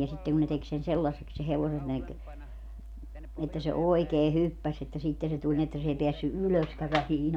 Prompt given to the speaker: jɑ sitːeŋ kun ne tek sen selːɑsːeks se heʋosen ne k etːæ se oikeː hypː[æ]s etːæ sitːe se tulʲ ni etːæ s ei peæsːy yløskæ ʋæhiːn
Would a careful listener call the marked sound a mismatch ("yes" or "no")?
no